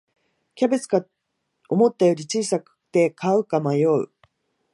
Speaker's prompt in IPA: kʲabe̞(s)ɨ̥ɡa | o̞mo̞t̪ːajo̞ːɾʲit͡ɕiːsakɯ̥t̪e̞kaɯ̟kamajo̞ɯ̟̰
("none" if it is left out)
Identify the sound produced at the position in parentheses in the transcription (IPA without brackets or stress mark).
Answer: t͡s